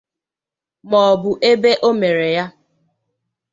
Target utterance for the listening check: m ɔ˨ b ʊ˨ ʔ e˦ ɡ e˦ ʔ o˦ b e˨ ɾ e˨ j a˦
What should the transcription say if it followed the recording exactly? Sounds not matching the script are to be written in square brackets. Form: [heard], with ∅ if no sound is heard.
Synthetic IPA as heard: m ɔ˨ b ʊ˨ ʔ e˦ [b] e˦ ʔ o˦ [m] e˨ ɾ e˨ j a˦